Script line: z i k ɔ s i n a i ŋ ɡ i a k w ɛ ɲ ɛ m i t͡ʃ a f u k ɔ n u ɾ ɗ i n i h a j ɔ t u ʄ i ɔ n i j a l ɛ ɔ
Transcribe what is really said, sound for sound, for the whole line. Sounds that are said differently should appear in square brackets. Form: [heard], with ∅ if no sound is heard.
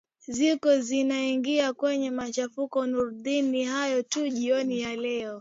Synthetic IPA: z i k ɔ [z] i n a i ŋ ɡ i a k w ɛ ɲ ɛ m [a] t͡ʃ a f u k ɔ n u ɾ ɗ i n i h a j ɔ t u ʄ i ɔ n i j a l ɛ ɔ